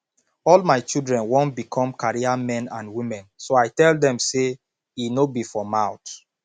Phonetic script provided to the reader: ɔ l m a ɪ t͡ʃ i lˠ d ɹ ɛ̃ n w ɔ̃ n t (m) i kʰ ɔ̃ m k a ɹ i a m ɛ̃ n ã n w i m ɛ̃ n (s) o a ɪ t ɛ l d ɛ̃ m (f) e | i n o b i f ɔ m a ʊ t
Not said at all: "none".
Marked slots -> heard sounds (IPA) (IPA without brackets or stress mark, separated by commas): b, s, s